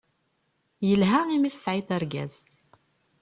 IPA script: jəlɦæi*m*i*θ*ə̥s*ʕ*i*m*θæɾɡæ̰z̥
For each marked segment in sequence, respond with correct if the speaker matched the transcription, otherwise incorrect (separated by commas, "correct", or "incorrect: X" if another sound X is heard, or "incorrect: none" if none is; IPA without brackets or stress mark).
correct, correct, correct, incorrect: none